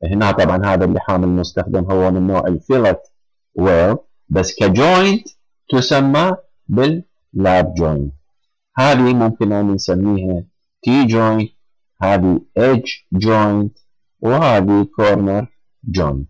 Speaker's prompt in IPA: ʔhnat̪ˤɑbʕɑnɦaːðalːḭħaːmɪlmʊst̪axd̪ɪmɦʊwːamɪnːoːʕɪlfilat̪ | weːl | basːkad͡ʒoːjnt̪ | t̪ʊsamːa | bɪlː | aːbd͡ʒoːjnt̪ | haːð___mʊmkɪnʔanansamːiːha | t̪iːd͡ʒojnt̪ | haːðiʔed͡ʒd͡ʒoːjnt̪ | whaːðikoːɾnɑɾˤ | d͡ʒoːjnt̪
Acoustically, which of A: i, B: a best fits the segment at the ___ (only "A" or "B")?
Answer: A